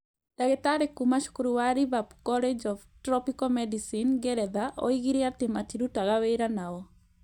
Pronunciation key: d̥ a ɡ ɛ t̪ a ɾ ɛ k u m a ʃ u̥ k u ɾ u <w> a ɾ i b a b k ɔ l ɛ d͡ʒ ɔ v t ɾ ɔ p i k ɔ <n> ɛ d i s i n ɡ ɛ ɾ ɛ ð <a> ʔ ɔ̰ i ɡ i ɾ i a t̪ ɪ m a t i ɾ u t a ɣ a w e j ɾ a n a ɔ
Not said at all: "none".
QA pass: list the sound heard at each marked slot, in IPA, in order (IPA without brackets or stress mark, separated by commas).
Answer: w, m, a